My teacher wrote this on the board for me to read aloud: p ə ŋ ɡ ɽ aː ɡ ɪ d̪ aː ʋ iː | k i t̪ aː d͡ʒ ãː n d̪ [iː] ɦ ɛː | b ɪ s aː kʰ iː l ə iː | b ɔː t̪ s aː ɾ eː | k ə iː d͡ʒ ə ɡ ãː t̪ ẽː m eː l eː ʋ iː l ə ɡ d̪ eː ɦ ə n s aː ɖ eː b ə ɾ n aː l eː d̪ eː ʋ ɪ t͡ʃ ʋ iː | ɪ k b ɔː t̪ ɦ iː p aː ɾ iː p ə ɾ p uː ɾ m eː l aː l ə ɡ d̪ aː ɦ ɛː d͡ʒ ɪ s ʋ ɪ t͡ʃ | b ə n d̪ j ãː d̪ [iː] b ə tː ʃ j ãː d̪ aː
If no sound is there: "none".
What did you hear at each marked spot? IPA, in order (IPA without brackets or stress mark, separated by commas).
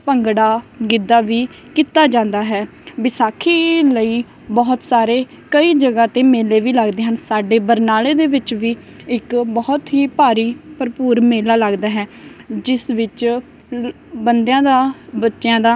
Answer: aː, aː